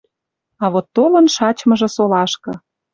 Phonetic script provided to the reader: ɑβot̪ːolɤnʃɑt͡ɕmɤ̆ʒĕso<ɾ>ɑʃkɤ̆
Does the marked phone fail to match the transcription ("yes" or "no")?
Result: yes